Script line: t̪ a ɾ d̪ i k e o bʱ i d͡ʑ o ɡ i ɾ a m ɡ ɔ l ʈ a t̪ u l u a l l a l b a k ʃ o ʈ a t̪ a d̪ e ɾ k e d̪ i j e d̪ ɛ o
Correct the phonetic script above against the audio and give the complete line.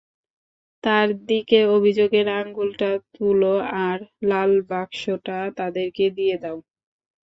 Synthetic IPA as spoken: t̪ a ɾ d̪ i k e o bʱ i d͡ʑ o ɡ e ɾ a ŋ ɡ u l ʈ a t̪ u l o a ɾ l a l b a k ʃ o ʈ a t̪ a d̪ e ɾ k e d̪ i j e d̪ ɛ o